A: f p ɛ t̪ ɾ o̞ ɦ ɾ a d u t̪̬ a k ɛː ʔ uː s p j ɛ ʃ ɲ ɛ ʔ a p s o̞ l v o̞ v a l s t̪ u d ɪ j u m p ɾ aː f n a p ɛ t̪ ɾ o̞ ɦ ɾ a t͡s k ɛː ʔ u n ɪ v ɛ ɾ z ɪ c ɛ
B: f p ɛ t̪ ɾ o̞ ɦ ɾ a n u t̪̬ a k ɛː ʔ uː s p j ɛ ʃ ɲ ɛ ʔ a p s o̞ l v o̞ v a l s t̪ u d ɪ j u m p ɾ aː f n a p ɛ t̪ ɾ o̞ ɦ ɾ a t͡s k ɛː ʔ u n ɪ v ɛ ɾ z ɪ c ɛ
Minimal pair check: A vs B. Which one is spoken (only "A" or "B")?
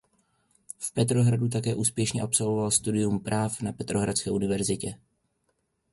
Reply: A